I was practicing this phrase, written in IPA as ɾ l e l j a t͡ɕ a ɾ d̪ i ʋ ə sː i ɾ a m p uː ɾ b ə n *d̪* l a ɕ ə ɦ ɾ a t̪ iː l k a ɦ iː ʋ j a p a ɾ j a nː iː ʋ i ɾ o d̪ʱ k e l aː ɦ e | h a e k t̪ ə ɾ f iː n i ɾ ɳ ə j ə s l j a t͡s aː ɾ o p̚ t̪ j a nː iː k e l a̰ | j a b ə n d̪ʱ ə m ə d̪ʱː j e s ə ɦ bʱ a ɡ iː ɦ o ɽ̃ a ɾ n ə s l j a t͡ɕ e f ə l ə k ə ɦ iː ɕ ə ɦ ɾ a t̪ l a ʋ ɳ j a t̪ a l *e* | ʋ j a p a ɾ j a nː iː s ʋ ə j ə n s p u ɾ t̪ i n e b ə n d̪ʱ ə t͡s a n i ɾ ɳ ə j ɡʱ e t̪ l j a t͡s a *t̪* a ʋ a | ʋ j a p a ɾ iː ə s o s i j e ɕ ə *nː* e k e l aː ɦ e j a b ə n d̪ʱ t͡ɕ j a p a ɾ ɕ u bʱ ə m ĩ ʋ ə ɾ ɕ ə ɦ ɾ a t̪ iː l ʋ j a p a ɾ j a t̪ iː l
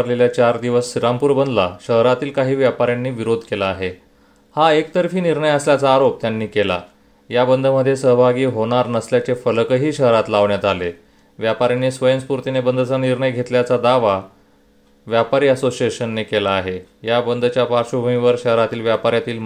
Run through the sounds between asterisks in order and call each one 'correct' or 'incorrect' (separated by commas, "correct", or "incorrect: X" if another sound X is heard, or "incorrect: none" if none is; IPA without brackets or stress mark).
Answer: correct, correct, incorrect: d̪, correct